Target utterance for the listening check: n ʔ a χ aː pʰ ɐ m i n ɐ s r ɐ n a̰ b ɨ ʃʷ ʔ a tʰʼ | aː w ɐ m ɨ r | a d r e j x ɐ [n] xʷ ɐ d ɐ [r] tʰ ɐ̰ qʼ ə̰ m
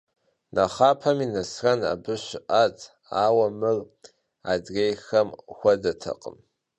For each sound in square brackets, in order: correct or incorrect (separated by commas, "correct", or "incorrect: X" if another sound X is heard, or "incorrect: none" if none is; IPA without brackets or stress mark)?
incorrect: m, incorrect: none